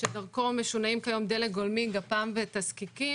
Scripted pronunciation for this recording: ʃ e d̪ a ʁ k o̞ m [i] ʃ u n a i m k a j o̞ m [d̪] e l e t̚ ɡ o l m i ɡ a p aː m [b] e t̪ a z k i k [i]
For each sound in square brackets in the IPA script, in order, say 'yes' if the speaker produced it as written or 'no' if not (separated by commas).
no, yes, no, yes